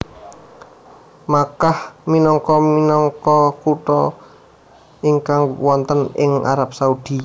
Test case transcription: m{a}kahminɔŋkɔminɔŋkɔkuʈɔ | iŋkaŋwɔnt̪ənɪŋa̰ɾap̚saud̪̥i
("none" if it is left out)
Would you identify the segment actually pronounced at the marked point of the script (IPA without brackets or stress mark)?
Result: a